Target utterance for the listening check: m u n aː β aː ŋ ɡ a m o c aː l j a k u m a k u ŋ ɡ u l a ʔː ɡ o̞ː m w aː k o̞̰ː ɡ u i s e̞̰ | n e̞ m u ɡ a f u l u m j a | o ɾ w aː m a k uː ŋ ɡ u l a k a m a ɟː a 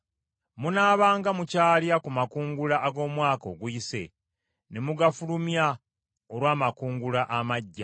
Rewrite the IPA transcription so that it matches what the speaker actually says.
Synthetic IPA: m u n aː β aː ŋ ɡ a m u c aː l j a k u m a k uː ŋ ɡ u l a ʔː ɡ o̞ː m w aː k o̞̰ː ɡ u i s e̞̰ | n e̞ m u ɡ a f u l u m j a | o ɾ w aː m a k uː ŋ ɡ u l a ʔ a m a ɟː a